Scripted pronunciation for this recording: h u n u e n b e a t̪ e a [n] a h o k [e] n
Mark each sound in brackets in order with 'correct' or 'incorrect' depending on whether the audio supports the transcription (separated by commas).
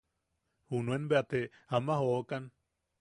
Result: incorrect, incorrect